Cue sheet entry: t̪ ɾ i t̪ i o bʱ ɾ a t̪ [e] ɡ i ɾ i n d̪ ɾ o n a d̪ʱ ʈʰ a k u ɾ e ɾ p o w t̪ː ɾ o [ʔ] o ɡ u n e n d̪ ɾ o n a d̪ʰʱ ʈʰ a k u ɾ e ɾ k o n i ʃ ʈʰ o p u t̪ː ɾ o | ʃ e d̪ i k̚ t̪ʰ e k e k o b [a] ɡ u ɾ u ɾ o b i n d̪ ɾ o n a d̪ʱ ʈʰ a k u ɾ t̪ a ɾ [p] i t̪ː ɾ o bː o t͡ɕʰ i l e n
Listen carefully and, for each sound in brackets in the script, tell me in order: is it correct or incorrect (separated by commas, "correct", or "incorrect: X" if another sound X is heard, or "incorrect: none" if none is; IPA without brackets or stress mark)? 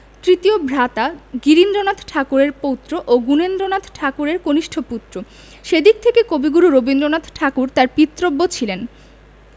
incorrect: a, correct, incorrect: i, correct